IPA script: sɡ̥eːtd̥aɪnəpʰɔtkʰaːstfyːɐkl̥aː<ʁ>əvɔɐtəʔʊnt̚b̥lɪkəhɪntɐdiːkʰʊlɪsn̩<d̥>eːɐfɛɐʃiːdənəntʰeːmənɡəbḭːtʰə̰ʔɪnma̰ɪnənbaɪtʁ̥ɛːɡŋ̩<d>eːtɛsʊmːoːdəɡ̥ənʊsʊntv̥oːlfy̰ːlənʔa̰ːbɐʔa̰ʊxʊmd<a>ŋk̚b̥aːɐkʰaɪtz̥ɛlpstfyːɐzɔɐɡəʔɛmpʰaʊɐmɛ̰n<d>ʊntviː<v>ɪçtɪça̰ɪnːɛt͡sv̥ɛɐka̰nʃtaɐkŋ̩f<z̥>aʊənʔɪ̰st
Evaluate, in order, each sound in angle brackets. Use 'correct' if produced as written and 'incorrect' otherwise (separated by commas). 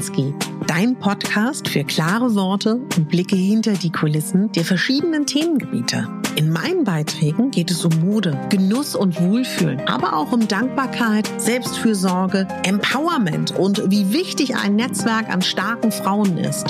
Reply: correct, correct, incorrect, correct, incorrect, correct, incorrect